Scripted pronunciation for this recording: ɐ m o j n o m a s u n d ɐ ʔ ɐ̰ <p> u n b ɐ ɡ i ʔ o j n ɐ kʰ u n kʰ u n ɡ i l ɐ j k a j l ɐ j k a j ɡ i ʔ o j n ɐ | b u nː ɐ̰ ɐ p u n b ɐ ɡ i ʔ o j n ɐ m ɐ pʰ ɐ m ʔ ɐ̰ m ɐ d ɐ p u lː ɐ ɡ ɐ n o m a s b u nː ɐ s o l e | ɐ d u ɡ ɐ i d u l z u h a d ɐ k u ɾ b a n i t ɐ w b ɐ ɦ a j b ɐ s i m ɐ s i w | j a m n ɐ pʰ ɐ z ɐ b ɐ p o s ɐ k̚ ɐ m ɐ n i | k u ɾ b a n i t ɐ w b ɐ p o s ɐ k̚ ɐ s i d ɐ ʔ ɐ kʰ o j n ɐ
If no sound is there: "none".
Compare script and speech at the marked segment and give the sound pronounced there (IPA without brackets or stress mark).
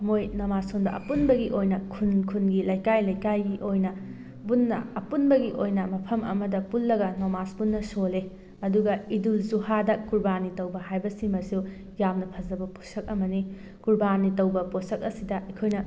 p